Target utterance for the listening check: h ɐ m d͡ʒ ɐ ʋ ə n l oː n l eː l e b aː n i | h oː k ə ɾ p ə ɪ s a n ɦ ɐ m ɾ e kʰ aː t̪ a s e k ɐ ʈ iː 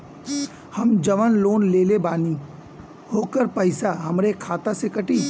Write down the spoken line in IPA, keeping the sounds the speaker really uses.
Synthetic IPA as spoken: h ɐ m d͡ʒ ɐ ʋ ə n l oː n l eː l e b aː n i | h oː k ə ɾ p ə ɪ s a ɦ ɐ m ɾ e kʰ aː t̪ a s e k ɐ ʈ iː